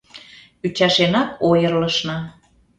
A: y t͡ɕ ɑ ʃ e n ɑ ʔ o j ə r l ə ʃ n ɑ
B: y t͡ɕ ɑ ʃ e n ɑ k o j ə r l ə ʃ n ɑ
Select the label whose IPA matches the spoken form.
B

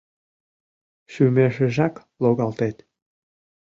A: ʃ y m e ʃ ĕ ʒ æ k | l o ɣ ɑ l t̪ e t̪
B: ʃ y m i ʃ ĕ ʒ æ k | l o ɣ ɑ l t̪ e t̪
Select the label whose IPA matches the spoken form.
A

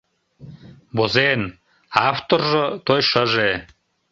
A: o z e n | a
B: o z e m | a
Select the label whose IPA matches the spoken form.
A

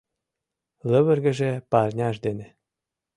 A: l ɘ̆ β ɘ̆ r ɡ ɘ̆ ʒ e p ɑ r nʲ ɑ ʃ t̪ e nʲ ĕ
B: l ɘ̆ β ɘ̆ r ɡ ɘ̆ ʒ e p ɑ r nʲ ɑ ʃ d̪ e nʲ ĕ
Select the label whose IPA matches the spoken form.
B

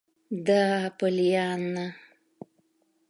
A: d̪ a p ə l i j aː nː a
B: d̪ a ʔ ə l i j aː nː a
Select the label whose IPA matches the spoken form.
A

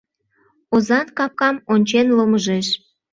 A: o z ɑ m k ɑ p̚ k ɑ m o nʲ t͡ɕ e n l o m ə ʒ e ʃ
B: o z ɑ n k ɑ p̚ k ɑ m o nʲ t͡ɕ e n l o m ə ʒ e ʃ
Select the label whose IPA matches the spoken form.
B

